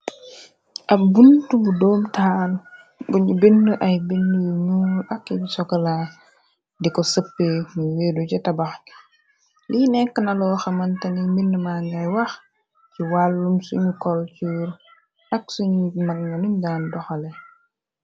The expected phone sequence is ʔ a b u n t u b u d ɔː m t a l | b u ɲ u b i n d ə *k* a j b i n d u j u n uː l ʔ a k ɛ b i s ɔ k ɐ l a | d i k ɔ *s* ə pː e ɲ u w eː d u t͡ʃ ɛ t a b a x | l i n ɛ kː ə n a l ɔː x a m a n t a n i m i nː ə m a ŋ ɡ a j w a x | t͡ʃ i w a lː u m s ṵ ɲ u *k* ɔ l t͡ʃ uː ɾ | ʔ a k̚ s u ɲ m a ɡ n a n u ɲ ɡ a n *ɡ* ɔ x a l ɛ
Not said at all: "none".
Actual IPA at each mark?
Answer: ʔ, s, k, d

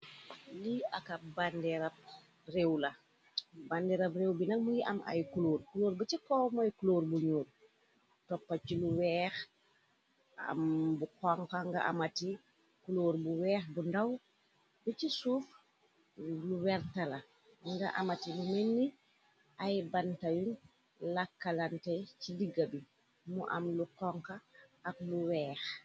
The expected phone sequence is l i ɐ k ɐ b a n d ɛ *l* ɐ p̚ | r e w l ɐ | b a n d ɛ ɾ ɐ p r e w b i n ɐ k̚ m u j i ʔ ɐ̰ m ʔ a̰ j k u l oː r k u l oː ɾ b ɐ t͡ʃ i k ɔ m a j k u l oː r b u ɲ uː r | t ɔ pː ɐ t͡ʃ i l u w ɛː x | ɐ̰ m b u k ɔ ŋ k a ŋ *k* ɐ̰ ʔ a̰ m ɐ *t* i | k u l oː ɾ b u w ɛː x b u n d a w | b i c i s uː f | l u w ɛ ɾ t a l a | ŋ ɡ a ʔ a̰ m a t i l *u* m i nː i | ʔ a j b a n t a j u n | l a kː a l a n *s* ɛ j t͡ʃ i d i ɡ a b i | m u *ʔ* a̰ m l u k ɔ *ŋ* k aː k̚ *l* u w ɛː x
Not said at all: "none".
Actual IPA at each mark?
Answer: ɾ, ɡ, t, u, t, ʔ, ŋ, l

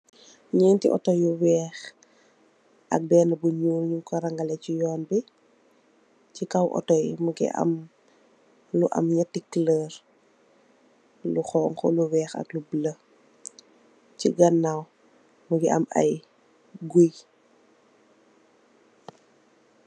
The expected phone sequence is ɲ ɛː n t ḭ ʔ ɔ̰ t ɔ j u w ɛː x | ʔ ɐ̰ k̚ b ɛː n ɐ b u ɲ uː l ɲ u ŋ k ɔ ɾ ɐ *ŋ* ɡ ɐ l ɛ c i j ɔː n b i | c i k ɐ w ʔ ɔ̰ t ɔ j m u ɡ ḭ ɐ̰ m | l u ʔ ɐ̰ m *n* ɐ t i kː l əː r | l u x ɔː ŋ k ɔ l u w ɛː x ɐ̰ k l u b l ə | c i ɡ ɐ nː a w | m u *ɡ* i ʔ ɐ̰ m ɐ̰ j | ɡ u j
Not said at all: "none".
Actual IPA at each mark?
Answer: ŋ, ɲ, ɡ

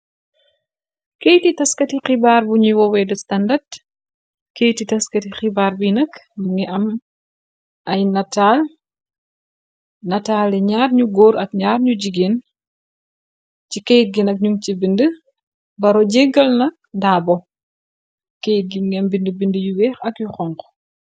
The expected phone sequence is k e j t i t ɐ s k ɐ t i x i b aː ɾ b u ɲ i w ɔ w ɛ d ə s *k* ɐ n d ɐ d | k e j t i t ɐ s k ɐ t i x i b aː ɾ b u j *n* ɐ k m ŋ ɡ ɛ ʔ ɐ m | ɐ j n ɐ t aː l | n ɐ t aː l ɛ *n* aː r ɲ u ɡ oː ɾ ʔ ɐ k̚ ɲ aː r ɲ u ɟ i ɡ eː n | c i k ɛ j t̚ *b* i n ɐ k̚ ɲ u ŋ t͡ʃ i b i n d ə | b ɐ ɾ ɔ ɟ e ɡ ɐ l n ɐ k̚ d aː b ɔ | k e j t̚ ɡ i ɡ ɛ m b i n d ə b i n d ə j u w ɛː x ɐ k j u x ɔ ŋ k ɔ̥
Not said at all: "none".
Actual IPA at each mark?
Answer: t, n, ɲ, ɡ

